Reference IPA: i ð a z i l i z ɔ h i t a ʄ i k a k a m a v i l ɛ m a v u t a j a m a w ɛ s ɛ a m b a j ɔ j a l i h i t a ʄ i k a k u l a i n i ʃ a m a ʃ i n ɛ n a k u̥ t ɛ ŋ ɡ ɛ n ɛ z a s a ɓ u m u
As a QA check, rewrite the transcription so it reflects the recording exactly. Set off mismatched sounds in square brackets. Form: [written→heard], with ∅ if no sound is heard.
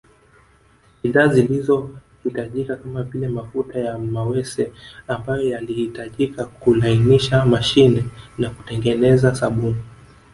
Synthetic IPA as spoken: i ð a z i l i z ɔ h i t a ʄ i k a k a m a v i l ɛ m a [v→f] u t a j a m a w ɛ s ɛ a m b a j ɔ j a l i h i t a ʄ i k a k u l a i n i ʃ a m a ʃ i n ɛ n a k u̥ t ɛ ŋ ɡ ɛ n ɛ z a s a ɓ u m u

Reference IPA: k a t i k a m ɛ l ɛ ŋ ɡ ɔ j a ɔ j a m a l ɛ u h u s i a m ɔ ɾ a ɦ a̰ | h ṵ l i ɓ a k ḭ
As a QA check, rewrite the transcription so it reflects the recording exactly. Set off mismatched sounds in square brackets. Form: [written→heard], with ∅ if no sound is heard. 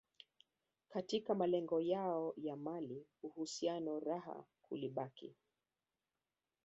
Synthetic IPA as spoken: k a t i k a m [ɛ→a] l ɛ ŋ ɡ ɔ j a ɔ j a m a l [ɛ→i] u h u s i a [m→n] ɔ ɾ a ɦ a̰ | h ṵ l i ɓ a k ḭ

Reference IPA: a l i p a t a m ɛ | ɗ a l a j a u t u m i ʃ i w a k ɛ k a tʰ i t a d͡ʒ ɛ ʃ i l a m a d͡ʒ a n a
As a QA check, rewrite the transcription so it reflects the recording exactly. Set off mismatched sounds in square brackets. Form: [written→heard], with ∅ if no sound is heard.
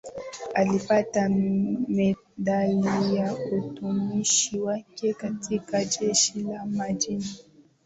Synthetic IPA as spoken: a l i p a t a m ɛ | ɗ a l [a→i] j a u t u m i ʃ i w a k ɛ k a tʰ i [t→k] a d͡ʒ ɛ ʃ i l a m a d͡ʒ [a→i] n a

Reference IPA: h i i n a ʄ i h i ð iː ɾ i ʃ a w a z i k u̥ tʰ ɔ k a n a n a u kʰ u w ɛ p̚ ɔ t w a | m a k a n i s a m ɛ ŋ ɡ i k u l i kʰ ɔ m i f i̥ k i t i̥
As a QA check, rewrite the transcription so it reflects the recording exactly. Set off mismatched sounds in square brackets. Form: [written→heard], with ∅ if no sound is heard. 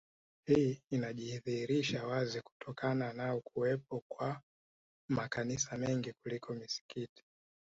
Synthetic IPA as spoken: h i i n a ʄ i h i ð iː ɾ i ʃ a w a z i k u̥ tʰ ɔ k a n a n a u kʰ u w ɛ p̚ ɔ [t→k] w a | m a k a n i s a m ɛ ŋ ɡ i k u l i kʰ ɔ m i [f→s] i̥ k i t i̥

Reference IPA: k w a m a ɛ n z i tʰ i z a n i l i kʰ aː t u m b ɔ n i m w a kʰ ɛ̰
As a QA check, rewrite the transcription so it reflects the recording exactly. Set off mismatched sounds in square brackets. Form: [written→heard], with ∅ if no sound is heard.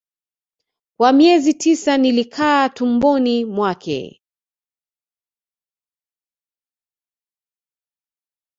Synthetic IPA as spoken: k w a m [a→i] ɛ [n→∅] z i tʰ i [z→s] a n i l i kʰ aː t u m b ɔ n i m w a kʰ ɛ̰

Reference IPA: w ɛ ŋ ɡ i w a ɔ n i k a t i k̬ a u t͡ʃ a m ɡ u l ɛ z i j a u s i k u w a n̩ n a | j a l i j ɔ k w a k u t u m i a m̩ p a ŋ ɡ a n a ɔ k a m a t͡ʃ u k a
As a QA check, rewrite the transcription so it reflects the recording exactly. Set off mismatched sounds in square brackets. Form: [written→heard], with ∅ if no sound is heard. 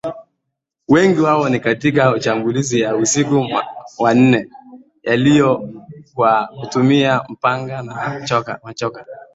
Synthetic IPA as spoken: w ɛ ŋ ɡ i w a ɔ n i k a t i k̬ a u t͡ʃ a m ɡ u l [ɛ→i] z i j a u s i k u w a n̩ n [a→ɛ] | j a l i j ɔ k w a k u t u m i a m̩ p a ŋ ɡ a n a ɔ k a m a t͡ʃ [u→ɔ] k a

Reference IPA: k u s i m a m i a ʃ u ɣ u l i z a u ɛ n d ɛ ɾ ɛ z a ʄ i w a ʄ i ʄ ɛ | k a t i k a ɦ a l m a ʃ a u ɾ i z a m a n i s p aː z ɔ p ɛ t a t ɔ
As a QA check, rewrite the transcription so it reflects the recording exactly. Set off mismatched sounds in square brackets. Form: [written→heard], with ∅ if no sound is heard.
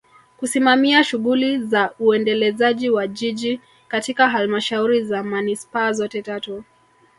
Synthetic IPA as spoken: k u s i m a m i a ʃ u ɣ u l i z a u ɛ n d ɛ [ɾ→l] ɛ z a ʄ i w a ʄ i ʄ [ɛ→i] | k a t i k a ɦ a l m a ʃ a u ɾ i z a m a n i s p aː z ɔ [p→t] ɛ t a t ɔ

